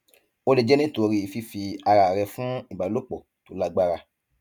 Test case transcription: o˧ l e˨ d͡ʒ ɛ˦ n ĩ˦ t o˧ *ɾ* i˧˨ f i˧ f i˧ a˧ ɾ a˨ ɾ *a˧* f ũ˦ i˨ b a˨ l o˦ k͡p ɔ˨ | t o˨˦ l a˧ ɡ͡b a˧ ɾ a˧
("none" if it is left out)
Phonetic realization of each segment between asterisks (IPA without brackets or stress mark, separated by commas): ɾ, ɛ˧